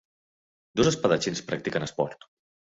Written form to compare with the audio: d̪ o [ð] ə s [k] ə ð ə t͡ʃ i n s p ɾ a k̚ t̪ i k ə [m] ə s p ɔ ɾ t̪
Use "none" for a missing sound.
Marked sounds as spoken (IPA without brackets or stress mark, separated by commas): z, p, n